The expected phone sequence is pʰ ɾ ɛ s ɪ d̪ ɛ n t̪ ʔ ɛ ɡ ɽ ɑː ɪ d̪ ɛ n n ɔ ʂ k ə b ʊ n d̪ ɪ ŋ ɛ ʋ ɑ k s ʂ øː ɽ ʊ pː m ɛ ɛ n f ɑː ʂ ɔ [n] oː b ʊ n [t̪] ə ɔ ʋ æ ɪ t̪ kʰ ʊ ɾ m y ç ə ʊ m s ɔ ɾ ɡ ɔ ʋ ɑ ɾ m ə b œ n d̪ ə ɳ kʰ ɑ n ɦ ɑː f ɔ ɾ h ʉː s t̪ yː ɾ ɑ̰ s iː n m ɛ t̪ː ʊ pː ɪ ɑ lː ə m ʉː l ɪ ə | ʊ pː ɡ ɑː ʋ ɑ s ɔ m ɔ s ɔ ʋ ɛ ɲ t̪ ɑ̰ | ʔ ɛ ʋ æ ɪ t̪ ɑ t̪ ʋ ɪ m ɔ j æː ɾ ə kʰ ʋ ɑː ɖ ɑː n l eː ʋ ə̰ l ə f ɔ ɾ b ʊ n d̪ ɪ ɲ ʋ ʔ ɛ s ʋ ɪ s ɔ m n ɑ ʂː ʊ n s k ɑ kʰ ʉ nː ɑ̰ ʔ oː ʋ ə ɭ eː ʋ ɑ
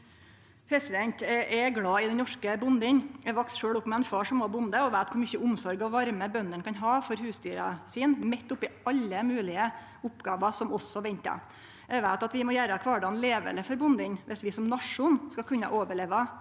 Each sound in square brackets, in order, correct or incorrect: incorrect, incorrect

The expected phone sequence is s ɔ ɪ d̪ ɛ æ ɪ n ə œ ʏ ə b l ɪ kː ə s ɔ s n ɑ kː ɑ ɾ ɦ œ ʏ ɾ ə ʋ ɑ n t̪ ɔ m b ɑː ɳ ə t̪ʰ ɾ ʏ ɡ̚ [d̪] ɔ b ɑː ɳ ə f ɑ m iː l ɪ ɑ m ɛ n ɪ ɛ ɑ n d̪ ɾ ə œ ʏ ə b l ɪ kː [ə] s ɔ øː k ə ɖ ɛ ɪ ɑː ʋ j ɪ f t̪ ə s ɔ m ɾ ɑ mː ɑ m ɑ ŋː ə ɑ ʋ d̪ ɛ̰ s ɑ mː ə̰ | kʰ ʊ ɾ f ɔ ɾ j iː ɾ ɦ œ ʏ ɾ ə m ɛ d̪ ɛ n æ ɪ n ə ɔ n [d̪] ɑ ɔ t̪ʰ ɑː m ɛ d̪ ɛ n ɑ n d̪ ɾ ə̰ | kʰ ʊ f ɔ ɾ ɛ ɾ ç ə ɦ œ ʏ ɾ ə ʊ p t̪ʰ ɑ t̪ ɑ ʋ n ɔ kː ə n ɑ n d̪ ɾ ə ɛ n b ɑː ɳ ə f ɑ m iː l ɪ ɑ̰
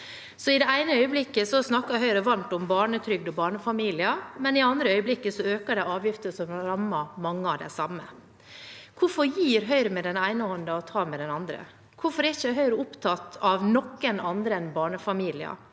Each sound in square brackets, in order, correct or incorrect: correct, correct, correct

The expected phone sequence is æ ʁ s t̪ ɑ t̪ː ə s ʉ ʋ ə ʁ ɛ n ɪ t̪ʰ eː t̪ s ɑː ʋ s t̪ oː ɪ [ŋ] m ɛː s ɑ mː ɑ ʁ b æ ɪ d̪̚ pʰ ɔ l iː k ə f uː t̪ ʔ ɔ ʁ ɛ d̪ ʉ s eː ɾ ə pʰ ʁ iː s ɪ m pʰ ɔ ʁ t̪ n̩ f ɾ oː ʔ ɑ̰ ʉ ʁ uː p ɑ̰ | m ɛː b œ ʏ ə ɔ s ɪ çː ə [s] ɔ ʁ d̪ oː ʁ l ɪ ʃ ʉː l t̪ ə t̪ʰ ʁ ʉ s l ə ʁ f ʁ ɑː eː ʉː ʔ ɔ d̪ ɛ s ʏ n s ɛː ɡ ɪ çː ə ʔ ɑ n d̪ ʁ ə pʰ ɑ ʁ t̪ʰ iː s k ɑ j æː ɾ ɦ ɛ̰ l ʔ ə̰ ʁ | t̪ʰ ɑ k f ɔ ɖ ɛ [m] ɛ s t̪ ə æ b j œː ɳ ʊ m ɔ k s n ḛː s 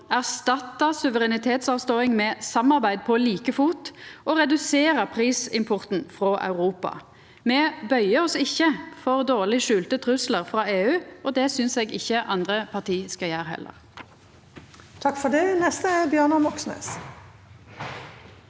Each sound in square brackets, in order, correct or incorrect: correct, incorrect, incorrect

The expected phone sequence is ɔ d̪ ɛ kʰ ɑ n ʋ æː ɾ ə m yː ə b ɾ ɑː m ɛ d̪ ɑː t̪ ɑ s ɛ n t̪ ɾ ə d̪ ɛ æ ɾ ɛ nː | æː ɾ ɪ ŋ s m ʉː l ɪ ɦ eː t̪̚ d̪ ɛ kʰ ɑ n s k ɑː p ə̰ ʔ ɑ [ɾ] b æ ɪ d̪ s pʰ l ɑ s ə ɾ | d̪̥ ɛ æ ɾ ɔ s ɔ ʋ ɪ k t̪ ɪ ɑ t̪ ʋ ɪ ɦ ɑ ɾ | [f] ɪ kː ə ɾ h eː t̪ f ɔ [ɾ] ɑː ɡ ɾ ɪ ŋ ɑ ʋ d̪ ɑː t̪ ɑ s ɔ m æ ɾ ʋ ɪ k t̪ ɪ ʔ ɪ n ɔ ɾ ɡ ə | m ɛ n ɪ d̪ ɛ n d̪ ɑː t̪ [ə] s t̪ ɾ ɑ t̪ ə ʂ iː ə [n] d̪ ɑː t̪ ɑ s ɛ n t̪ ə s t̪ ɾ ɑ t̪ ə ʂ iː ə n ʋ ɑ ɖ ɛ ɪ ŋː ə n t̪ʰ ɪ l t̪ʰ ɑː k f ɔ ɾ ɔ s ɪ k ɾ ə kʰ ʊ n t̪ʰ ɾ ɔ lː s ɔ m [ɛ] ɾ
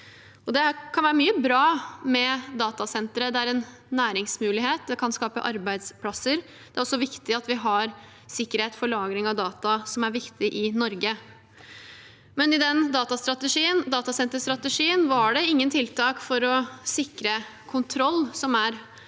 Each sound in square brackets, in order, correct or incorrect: correct, incorrect, incorrect, incorrect, correct, incorrect

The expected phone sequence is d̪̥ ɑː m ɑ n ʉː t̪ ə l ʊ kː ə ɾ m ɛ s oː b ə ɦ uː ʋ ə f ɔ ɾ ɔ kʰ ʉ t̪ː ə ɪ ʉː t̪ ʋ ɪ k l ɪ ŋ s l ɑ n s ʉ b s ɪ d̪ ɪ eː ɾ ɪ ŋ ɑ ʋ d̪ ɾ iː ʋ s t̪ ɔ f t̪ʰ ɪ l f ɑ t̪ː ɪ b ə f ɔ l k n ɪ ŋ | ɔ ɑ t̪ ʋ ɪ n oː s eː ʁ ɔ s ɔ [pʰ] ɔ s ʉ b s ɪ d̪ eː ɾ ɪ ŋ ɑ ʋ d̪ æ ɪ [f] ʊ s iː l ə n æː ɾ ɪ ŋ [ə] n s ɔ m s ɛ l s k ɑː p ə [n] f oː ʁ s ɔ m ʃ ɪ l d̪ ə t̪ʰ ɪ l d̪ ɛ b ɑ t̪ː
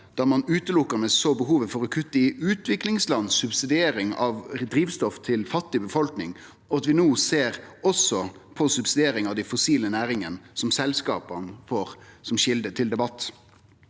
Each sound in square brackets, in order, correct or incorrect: correct, correct, correct, correct

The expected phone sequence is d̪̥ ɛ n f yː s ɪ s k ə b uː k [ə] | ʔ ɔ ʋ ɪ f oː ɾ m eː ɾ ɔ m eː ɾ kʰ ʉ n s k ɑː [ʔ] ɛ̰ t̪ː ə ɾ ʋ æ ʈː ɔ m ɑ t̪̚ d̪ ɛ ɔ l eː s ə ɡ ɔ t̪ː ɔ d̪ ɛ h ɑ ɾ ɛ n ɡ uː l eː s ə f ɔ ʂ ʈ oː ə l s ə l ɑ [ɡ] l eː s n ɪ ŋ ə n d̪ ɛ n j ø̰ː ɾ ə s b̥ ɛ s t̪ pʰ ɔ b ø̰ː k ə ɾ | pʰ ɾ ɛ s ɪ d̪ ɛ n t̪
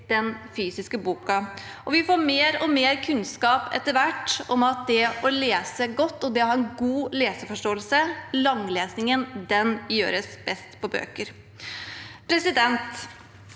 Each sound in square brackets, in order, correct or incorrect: incorrect, incorrect, incorrect

